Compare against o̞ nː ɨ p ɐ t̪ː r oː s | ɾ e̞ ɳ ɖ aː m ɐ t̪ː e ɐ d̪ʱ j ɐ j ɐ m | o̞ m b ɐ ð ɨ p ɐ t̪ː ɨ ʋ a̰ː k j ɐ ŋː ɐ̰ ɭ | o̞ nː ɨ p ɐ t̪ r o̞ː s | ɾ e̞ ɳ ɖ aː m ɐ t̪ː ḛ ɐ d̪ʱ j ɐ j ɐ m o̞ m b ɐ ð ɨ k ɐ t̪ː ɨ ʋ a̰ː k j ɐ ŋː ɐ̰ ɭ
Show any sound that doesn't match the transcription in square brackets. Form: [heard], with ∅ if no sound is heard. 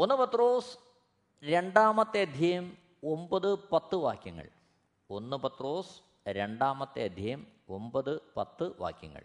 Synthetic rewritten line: o̞ nː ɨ p ɐ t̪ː r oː s | ɾ e̞ ɳ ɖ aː m ɐ t̪ː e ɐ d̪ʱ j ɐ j ɐ m | o̞ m b ɐ ð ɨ p ɐ t̪ː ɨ ʋ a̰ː k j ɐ ŋː ɐ̰ ɭ | o̞ nː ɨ p ɐ t̪ r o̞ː s | ɾ e̞ ɳ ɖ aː m ɐ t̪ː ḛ ɐ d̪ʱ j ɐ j ɐ m o̞ m b ɐ ð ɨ [p] ɐ t̪ː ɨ ʋ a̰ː k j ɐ ŋː ɐ̰ ɭ